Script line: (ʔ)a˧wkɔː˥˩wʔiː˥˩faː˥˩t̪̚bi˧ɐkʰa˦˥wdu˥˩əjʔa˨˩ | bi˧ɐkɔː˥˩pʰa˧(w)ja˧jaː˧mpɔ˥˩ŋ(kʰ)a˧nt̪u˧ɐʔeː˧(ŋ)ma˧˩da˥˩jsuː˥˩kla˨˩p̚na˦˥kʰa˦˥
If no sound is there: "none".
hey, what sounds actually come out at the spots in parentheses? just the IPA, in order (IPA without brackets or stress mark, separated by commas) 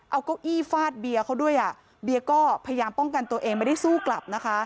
ʔ, none, k, ŋ